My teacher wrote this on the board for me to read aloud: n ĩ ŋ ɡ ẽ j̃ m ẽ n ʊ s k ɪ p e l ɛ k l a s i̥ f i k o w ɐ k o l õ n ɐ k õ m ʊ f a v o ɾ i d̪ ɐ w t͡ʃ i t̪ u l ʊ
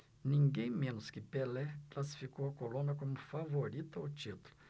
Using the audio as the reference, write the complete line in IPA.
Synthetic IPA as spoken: n ĩ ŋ ɡ ẽ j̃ m ẽ n ʊ s k ɪ p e l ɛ k l a s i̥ f i k o w ɐ k o l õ n ɐ k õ m ʊ f a v o ɾ i t̪ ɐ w t͡ʃ i t̪ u l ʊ